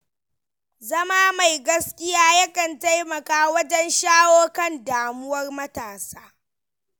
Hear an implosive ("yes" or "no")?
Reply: no